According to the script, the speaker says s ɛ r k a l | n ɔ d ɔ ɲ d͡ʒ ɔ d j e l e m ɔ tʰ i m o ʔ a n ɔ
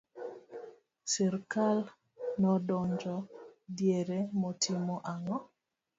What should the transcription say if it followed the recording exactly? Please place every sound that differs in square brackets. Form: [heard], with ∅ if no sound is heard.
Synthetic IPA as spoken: s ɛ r k a l | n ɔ d ɔ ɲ d͡ʒ ɔ d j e [ɾ] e m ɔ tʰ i m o ʔ a [ŋ] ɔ